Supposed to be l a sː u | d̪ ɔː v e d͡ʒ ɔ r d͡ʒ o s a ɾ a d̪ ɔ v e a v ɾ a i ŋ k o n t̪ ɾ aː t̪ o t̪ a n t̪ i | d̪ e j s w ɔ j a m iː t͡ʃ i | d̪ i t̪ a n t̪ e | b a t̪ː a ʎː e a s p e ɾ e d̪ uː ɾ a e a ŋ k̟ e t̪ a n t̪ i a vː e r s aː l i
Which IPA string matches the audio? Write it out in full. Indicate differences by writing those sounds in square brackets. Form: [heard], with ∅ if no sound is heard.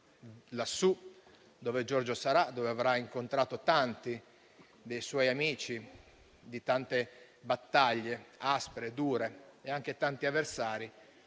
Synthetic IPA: l a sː u | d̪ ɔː v e d͡ʒ ɔ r d͡ʒ o s a ɾ a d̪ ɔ v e a v ɾ a i ŋ k o n t̪ ɾ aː t̪ o t̪ a n t̪ i | d̪ e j s w ɔ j a m iː t͡ʃ i | d̪ i t̪ a n t̪ e | b a t̪ː a ʎː e a s p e ɾ e d̪ uː ɾ [e] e a ŋ k̟ e t̪ a n t̪ i a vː e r s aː [ɾ] i

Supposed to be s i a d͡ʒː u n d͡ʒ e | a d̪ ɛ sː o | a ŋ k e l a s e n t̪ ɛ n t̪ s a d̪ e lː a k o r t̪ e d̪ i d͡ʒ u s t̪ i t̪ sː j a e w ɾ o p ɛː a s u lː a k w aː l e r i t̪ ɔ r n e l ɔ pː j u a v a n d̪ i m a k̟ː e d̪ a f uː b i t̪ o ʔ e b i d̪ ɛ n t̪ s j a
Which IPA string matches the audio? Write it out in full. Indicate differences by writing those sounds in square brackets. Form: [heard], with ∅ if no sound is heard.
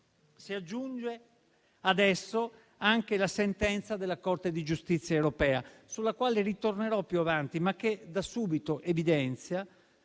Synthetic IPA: s i a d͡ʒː u n d͡ʒ e | a d̪ ɛ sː o | a ŋ k e l a s e n t̪ ɛ n t̪ s a d̪ e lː a k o r t̪ e d̪ i d͡ʒ u s t̪ i t̪ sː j a e w ɾ o p ɛː a s u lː a k w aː l e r i t̪ [o] r n e [ɾ] ɔ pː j u a v a n [t̪] i m a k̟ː e d̪ a [s] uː b i t̪ o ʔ e [v] i d̪ ɛ n t̪ s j a

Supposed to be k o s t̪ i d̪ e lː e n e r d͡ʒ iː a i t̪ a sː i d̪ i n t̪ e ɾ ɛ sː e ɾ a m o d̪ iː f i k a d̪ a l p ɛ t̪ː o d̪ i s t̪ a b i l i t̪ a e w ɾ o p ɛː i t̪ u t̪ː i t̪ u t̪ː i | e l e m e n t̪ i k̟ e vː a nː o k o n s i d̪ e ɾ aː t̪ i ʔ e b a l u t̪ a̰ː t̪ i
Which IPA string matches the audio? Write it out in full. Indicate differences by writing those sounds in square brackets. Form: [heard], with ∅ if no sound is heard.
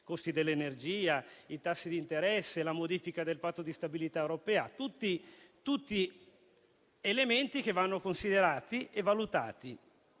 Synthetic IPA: k o s t̪ i d̪ e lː e n e r d͡ʒ iː a i t̪ a sː i d̪ i n t̪ e ɾ ɛ sː e [l] a m o d̪ iː f i k a d̪ [e] l p [a] t̪ː o d̪ i s t̪ a b i l i t̪ a e w ɾ o p ɛː [a] t̪ u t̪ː i t̪ u t̪ː i | e l e m e n t̪ i k̟ e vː a nː o k o n s i d̪ e ɾ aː t̪ i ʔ e [v] a l u t̪ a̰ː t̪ i

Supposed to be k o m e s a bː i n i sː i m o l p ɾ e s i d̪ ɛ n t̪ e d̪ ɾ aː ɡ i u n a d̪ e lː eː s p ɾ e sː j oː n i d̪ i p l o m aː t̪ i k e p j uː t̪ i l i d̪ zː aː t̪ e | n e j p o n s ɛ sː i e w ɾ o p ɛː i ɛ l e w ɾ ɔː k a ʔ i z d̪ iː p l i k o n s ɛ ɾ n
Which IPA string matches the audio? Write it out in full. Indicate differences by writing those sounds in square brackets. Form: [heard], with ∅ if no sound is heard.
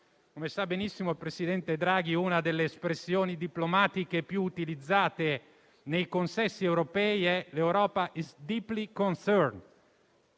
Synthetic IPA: k o m e s a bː [e] n i sː i m o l p ɾ e s i d̪ ɛ n t̪ e d̪ ɾ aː ɡ i u n a d̪ e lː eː s p ɾ e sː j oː n i d̪ i p l o m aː t̪ i k e p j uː t̪ i l i d̪ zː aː t̪ e | n e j [k] o n s ɛ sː i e w ɾ o p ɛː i ɛ l e w ɾ ɔː [p] a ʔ i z d̪ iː p l i k o n s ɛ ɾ n

